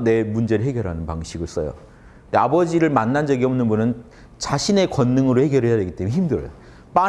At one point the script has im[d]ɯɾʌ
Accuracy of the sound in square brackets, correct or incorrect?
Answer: correct